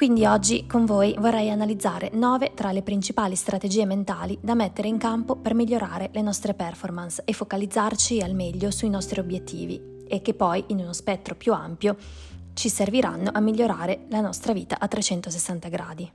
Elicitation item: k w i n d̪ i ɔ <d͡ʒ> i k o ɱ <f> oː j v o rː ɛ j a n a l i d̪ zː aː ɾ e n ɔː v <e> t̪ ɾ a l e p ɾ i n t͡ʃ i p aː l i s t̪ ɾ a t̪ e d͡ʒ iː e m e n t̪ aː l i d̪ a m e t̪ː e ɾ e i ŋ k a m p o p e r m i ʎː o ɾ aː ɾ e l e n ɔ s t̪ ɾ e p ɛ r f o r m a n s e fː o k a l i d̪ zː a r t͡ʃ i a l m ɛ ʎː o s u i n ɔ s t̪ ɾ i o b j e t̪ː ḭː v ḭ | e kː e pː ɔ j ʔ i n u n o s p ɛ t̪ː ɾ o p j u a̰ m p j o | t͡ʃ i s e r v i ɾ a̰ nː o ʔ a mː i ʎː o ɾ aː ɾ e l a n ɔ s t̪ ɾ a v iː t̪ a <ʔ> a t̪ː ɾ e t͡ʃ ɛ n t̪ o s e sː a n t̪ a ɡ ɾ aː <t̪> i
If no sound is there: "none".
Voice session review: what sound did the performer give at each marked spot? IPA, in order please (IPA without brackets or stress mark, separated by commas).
d͡ʒː, v, e, ʔ, d̪